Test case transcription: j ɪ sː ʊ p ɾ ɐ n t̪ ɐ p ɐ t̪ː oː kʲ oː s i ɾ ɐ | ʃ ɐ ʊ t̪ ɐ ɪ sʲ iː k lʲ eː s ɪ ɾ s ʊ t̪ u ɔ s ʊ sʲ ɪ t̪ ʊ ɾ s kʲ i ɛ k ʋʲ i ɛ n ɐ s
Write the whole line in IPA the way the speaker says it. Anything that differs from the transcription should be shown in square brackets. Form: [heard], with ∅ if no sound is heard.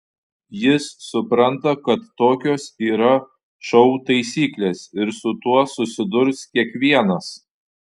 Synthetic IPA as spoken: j ɪ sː ʊ p ɾ ɐ n t̪ ɐ [k] ɐ t̪ː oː kʲ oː s [iː] ɾ ɐ | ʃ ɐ ʊ t̪ ɐ ɪ sʲ iː k lʲ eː s ɪ ɾ s ʊ t̪ u ɔ s ʊ sʲ ɪ [d̪] ʊ ɾ s kʲ i ɛ k ʋʲ i ɛ n ɐ s